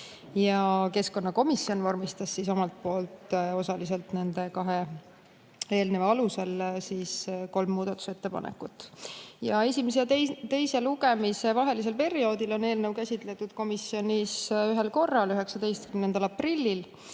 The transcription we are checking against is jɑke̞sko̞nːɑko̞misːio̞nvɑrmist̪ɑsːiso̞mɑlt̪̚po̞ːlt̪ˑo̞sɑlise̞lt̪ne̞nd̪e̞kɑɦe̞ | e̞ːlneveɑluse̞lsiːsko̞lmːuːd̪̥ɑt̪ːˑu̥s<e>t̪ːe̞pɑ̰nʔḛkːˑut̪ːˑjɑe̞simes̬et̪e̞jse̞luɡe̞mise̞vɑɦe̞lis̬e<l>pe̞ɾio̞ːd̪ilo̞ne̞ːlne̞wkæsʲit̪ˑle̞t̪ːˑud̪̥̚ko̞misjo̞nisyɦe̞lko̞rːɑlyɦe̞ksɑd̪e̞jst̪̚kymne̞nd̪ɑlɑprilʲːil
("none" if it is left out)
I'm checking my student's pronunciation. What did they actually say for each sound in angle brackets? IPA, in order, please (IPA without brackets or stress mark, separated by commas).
e, l